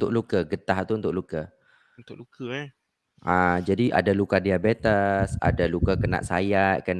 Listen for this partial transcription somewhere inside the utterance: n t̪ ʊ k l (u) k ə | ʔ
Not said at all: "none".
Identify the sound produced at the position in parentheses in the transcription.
u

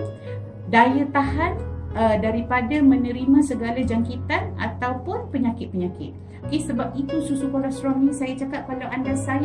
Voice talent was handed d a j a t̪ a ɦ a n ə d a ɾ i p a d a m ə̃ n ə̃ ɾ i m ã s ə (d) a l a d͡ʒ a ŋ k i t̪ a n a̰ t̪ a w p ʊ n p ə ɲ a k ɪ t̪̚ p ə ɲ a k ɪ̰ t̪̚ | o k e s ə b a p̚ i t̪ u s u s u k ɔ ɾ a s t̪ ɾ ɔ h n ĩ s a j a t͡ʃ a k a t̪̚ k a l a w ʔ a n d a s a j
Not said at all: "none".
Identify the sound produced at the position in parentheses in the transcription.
ɡ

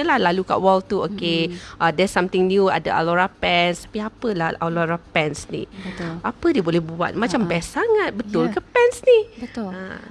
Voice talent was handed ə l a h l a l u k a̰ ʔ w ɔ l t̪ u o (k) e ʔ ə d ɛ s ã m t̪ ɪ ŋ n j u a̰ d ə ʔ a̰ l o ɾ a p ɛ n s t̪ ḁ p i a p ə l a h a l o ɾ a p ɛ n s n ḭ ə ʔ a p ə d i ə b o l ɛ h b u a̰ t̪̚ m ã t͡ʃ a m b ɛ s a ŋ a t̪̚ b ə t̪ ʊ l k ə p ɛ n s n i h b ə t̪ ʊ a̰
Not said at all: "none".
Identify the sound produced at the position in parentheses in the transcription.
k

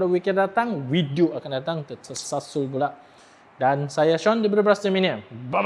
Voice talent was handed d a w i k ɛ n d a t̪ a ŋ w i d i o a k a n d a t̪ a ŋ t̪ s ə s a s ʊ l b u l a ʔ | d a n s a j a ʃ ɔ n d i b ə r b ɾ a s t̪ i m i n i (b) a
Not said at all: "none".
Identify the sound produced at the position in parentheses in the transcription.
b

